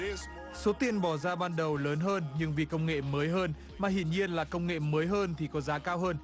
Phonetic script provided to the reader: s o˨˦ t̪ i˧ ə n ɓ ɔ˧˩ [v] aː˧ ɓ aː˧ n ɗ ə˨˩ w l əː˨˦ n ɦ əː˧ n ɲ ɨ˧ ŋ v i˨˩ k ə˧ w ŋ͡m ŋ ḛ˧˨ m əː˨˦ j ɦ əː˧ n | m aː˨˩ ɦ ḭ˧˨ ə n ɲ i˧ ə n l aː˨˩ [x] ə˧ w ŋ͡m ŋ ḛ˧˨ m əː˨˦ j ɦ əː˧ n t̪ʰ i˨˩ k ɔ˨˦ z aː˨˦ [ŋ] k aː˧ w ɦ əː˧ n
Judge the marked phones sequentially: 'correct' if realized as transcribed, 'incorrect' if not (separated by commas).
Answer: incorrect, incorrect, incorrect